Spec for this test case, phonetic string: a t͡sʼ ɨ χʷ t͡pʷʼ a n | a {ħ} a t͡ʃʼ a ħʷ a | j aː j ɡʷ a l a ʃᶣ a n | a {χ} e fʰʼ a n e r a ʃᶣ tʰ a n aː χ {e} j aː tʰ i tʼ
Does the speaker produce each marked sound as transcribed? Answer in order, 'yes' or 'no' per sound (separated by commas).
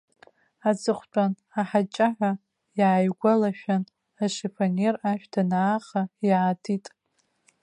yes, no, no